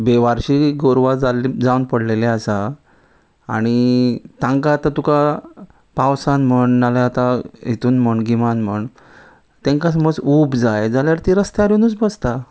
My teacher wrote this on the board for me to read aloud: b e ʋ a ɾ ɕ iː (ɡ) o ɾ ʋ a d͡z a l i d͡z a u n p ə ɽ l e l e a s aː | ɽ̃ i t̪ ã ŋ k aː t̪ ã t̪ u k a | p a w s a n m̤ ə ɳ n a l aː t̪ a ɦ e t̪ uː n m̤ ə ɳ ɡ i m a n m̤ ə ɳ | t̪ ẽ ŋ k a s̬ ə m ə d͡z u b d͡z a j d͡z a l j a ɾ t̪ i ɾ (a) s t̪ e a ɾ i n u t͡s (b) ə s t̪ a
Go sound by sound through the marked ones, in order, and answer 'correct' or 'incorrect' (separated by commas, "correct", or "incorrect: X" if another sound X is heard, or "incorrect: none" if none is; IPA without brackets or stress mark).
correct, incorrect: ə, correct